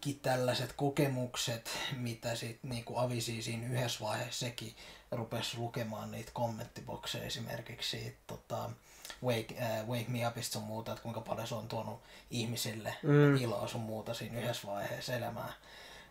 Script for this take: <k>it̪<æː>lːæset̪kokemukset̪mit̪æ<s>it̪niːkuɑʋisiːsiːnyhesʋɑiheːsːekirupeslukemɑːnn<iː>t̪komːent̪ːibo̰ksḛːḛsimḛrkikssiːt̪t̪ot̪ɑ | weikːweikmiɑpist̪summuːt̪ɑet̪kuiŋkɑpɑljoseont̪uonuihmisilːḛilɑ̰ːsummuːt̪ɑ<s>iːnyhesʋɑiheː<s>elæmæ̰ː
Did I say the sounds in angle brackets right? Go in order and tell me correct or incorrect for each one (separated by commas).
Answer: correct, incorrect, correct, correct, correct, correct